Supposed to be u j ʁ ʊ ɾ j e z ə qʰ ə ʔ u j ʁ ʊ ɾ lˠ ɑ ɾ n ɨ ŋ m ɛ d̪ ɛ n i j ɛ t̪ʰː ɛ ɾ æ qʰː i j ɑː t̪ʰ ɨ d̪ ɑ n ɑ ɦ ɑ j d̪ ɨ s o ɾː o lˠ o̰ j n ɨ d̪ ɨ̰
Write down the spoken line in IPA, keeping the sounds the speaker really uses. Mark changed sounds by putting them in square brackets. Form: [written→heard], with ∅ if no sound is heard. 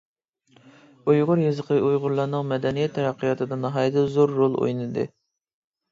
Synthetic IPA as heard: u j ʁ ʊ ɾ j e z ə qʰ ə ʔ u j ʁ ʊ ɾ lˠ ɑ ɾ n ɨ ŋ m ɛ d̪ ɛ n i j ɛ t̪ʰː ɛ ɾ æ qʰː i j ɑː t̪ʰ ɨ d̪ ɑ n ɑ ɦ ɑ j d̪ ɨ [s→z] o ɾː o lˠ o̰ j n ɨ d̪ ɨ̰